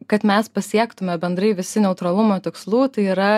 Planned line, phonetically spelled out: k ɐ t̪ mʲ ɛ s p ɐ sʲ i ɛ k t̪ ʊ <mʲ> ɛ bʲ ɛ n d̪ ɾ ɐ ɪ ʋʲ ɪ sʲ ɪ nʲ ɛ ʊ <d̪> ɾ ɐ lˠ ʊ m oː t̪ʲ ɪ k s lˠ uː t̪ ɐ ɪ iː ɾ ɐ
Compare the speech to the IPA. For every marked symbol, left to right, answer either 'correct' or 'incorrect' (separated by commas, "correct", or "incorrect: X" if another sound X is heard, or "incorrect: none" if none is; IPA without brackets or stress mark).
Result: correct, incorrect: t̪